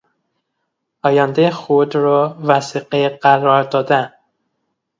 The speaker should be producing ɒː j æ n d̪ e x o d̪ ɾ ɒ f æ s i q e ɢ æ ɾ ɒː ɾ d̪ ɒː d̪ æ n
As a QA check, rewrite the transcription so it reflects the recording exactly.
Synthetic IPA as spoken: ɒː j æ n d̪ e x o d̪ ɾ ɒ v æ s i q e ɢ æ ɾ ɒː ɾ d̪ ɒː d̪ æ n